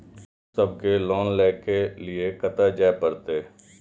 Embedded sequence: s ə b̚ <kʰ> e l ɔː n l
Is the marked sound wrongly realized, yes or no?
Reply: yes